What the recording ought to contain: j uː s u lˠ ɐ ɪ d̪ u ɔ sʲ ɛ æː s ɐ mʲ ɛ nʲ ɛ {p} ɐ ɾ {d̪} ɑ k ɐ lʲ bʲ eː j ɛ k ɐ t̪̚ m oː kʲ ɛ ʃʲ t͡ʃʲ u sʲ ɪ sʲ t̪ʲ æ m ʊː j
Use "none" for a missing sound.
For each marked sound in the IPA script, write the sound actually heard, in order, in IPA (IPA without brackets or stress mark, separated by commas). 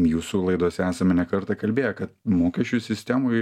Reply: k, t̪